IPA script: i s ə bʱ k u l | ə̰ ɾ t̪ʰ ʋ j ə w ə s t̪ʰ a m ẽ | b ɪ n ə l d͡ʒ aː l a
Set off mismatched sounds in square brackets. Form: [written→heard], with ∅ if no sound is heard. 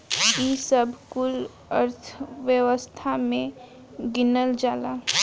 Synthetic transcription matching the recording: i s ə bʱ k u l | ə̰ ɾ t̪ʰ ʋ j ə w ə s t̪ʰ a m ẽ | [b→ɡ] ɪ n ə l d͡ʒ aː l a